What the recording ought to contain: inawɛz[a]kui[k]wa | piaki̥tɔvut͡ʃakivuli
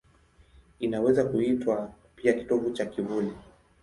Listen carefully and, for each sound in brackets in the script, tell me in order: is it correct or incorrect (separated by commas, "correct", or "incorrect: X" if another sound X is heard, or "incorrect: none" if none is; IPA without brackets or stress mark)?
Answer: correct, incorrect: t